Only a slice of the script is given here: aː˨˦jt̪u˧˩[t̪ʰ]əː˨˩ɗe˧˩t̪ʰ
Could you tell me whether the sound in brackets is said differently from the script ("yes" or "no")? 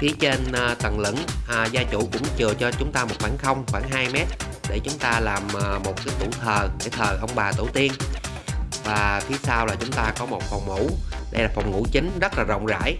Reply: no